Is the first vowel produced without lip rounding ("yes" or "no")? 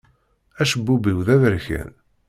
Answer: yes